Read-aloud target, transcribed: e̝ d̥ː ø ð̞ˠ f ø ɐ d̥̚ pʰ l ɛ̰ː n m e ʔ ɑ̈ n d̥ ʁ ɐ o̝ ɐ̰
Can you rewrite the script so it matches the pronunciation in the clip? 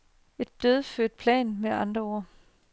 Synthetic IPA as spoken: e̝ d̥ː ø ð̞ˠ f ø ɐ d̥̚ pʰ l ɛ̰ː n m e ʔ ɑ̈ n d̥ ʁ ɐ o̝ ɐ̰